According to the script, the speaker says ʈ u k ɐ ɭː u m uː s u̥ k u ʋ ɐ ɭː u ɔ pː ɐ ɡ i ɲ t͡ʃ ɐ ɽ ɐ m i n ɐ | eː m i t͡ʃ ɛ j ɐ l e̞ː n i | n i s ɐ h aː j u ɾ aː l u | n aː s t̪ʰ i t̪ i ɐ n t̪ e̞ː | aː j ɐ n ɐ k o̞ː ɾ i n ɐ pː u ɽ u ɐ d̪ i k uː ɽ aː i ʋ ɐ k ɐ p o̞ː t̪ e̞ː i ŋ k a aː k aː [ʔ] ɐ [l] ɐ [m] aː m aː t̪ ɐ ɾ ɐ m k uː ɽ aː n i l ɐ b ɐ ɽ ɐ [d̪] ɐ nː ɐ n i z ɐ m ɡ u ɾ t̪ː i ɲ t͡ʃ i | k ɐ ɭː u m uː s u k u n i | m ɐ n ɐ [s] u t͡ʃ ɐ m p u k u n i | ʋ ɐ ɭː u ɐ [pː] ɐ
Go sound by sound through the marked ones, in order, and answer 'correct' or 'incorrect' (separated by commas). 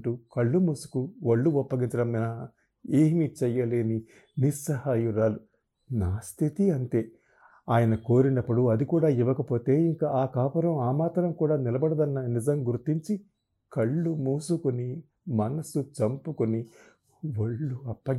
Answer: incorrect, incorrect, correct, correct, correct, correct